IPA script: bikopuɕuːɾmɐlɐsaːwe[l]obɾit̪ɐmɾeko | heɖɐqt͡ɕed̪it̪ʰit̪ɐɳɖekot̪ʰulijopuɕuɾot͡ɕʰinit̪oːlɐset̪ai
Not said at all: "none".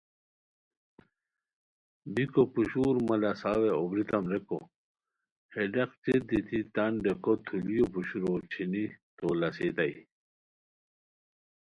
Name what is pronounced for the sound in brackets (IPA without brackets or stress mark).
none